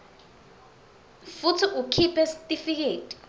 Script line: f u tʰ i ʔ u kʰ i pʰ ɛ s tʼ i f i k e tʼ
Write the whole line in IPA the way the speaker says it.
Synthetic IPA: f u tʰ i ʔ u kʰ i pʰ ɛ s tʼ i f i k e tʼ